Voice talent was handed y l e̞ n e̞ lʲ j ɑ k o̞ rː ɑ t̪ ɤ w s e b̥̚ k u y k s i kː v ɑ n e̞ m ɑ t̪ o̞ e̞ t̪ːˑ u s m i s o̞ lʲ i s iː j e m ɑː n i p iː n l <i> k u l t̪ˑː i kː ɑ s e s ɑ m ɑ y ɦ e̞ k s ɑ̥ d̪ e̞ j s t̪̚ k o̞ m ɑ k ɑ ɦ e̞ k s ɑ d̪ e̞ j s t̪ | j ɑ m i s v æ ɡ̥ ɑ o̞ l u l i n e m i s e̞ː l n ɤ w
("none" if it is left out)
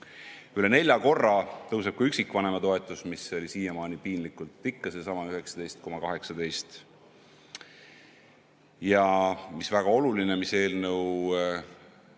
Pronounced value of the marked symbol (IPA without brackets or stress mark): i